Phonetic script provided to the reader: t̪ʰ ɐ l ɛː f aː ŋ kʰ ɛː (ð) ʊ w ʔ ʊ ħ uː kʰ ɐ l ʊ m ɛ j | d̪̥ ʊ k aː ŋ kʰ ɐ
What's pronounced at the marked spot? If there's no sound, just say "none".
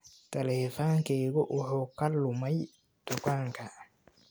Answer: ɣ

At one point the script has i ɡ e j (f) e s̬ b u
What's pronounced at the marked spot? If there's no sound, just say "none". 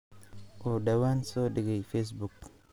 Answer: f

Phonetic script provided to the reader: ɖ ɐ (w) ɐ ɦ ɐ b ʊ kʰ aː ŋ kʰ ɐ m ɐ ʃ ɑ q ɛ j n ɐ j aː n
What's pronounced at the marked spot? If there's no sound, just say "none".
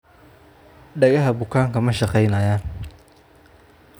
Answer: ɣ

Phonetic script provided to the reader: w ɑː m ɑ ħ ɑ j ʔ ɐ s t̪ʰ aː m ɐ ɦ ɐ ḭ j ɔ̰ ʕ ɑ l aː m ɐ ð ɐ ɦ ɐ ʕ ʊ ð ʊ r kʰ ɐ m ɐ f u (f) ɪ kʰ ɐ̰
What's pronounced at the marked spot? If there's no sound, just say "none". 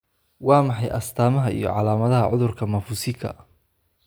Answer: s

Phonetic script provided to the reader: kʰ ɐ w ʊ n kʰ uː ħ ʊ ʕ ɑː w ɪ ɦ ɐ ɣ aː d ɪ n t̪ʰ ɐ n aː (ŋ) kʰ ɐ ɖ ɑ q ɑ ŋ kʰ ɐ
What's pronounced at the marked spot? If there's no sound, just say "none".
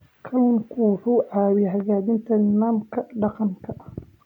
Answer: m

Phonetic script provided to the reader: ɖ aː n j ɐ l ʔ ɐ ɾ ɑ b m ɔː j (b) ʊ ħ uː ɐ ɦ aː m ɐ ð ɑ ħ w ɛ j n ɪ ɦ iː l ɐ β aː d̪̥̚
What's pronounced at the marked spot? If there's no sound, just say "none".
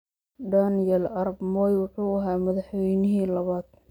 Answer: w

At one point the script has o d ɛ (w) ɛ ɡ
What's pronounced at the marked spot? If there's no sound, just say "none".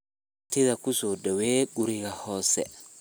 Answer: w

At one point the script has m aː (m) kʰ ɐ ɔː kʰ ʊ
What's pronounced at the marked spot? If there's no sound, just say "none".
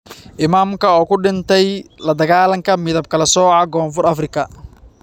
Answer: m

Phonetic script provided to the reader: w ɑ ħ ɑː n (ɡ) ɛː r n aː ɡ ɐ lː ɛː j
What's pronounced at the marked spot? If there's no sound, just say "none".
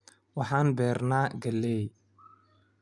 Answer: b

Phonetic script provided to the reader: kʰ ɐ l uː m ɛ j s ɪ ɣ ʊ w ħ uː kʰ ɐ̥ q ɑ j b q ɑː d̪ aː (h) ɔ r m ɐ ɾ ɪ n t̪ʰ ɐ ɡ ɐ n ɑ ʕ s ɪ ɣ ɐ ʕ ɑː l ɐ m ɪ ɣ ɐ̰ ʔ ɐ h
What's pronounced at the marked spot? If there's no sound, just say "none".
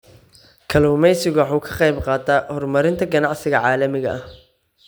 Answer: h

